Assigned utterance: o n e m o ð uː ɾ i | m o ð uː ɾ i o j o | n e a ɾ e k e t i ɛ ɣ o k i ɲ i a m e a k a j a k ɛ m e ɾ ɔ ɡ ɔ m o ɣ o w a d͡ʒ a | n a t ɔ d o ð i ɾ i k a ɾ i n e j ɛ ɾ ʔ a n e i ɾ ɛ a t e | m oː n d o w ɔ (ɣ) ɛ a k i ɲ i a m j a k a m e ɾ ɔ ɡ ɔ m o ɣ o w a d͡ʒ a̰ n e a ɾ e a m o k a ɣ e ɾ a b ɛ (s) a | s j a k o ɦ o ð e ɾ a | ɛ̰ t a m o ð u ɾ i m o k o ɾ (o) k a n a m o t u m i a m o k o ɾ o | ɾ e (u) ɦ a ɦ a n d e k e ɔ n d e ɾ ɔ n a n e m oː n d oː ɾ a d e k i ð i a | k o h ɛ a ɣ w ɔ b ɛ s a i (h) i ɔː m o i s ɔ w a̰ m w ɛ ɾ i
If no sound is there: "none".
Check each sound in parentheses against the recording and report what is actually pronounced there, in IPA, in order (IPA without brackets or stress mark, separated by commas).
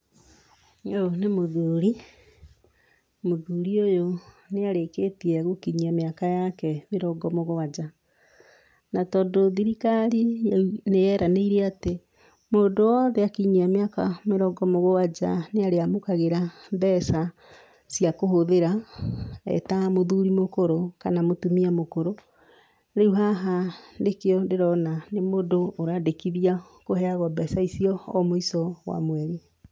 ð, s, o, u, s